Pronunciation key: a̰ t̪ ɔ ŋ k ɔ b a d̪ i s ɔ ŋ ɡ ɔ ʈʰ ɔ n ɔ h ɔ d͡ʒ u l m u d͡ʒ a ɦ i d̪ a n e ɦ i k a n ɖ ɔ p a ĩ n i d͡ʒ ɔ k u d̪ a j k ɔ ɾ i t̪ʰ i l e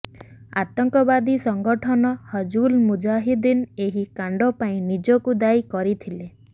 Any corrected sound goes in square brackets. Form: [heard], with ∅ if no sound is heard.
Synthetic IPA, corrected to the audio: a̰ t̪ ɔ ŋ k ɔ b a d̪ i s ɔ ŋ ɡ ɔ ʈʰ ɔ n ɔ h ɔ d͡ʒ u l m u d͡ʒ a ɦ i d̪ [i] n e ɦ i k a [ɳ] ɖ ɔ p a ĩ n i d͡ʒ ɔ k u d̪ a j k ɔ ɾ i t̪ʰ i l e